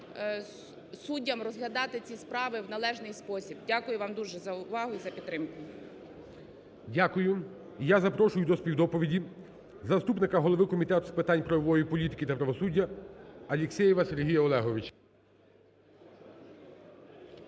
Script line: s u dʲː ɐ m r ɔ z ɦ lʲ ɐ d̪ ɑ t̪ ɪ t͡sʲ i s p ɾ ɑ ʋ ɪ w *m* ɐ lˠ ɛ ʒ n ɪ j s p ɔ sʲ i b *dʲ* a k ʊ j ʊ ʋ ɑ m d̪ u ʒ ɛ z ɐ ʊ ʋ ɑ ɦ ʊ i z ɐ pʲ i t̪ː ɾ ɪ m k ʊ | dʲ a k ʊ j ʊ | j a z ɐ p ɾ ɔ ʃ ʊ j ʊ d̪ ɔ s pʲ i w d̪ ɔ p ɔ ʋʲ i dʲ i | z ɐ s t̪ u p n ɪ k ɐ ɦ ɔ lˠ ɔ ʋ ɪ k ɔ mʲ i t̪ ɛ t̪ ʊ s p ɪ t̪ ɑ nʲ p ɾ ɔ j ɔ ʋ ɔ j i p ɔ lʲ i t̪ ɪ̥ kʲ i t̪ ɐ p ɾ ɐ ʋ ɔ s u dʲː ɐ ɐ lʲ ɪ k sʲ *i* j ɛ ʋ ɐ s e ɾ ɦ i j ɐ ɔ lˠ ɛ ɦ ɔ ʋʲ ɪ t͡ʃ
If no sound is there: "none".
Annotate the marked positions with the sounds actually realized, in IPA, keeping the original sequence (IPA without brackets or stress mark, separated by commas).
n, dʲ, ɛ